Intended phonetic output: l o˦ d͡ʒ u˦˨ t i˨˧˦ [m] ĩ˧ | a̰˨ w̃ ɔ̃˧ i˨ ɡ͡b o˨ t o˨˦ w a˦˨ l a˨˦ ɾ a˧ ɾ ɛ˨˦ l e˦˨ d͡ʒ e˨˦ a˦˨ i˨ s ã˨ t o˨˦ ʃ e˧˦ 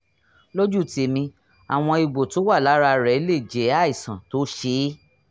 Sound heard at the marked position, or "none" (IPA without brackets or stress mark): m